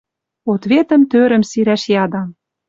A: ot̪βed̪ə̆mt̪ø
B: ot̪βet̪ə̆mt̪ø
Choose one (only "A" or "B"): B